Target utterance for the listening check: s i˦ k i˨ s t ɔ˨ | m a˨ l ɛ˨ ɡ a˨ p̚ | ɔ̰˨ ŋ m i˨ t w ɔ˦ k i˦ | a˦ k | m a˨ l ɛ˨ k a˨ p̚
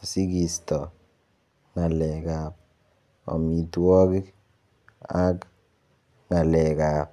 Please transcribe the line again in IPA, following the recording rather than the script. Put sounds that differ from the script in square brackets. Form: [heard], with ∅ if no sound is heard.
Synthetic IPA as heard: s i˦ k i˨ s t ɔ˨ | [ŋ] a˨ l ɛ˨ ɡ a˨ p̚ | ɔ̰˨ [∅] m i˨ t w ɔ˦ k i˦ | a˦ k | [ŋ] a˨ l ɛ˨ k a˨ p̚